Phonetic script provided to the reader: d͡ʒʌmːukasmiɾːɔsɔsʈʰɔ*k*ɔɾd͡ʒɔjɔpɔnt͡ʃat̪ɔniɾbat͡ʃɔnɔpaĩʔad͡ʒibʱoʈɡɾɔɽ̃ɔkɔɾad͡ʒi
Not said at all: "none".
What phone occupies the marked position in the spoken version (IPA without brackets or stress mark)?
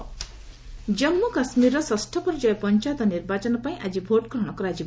p